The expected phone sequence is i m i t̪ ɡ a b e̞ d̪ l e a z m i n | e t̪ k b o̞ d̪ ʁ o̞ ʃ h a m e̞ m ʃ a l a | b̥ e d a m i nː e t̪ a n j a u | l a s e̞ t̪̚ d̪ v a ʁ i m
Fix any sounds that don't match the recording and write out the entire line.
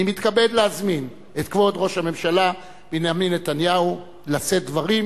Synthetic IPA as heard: i m i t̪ k a b e̞ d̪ l e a z m i n | e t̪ k v o̞ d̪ ʁ o̞ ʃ h a m e̞ m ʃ a l a | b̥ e n a m i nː e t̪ a n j a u | l a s e̞ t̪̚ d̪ v a ʁ i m